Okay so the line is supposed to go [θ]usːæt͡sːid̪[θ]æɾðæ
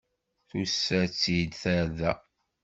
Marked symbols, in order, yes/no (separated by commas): yes, yes